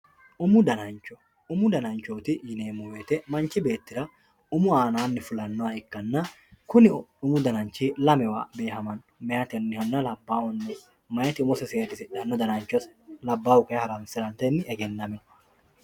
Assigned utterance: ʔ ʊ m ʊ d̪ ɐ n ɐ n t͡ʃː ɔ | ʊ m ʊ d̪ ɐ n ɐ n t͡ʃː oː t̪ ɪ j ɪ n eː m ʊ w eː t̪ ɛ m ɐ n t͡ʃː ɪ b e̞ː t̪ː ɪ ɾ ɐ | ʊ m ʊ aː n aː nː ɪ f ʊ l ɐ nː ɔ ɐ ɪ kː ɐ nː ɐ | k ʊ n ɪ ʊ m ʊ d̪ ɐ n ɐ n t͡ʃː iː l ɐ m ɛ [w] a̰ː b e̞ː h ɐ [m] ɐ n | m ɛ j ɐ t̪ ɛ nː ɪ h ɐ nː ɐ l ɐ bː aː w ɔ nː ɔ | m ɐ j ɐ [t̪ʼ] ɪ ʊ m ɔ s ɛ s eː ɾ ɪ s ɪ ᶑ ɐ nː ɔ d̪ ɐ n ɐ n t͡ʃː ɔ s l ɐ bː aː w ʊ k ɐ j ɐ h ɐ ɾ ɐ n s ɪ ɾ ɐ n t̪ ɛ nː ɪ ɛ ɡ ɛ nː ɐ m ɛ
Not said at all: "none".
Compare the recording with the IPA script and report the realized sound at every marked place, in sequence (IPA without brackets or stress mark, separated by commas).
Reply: w, m, t̪